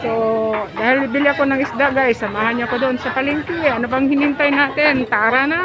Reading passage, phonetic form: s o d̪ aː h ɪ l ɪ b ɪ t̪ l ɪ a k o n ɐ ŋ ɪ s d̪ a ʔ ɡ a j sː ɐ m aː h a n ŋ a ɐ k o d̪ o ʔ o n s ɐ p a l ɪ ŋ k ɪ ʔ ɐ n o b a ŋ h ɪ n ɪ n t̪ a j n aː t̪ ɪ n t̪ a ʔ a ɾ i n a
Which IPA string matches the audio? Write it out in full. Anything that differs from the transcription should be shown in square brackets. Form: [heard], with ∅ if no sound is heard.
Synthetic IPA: s o d̪ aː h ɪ l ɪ b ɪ [∅] l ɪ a k o n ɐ ŋ ɪ s d̪ a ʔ ɡ a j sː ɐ m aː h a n [ɲ] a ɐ k o d̪ o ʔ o n s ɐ p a l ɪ ŋ k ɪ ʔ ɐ n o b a ŋ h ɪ n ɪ n t̪ a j n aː t̪ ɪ n t̪ a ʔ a ɾ [a] n a